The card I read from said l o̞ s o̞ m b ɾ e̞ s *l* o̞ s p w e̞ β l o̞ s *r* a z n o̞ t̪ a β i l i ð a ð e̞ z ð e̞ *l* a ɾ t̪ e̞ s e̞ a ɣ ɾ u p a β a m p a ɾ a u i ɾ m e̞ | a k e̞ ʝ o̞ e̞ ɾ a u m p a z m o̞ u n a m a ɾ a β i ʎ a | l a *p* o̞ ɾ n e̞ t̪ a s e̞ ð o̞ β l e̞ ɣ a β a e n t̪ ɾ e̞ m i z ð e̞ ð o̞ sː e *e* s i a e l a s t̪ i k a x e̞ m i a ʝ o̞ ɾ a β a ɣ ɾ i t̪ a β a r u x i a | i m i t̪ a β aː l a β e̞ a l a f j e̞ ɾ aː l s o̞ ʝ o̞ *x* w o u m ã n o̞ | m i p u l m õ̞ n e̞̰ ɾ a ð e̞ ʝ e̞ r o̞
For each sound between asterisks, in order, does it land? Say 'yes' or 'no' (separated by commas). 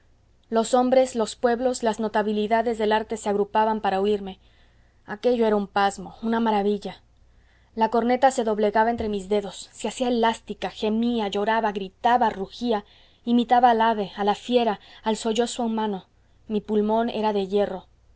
yes, no, yes, no, no, no